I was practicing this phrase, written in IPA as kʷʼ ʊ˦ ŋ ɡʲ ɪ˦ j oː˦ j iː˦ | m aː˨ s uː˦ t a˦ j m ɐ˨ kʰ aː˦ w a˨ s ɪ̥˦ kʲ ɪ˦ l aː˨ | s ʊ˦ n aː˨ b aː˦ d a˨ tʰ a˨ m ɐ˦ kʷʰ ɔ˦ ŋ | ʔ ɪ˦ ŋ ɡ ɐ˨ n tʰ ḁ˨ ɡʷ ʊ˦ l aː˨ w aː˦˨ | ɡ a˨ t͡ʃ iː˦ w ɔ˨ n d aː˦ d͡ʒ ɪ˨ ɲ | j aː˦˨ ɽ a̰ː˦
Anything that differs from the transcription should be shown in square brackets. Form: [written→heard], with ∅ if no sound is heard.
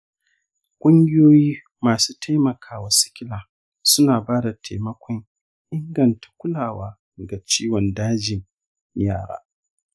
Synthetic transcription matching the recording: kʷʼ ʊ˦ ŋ ɡʲ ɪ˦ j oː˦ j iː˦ | m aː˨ s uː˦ t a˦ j m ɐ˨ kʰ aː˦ w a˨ s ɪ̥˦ kʲ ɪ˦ l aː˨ | s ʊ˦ n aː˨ b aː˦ d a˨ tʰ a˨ m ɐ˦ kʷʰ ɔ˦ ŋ | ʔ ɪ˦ ŋ ɡ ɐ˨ n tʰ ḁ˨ [ɡʷ→kʷ] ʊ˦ l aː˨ w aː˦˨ | ɡ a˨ t͡ʃ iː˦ w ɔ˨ n d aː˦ d͡ʒ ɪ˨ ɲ | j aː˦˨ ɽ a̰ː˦